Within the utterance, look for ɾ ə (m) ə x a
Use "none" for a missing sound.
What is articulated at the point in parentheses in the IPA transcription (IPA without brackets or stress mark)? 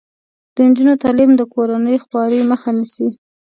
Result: m